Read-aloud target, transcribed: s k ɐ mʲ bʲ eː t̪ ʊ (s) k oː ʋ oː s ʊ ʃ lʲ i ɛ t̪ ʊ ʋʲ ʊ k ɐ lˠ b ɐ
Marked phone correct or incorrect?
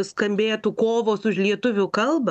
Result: incorrect